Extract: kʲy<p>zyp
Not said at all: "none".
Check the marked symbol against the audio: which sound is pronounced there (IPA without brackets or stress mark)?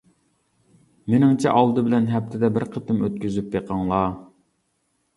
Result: none